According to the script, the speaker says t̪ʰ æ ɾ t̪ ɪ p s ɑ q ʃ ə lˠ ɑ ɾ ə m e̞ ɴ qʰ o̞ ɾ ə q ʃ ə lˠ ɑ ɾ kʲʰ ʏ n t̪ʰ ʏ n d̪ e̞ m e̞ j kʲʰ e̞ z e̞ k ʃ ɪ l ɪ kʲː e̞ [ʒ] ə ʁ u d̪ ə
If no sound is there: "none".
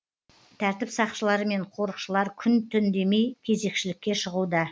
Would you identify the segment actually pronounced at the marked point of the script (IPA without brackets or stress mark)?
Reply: ʃ